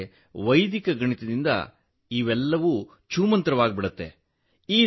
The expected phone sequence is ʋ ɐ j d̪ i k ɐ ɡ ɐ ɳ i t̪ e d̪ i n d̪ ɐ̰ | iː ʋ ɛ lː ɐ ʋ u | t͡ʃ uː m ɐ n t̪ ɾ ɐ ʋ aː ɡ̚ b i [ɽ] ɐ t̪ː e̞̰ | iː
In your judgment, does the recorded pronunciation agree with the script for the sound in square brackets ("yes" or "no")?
yes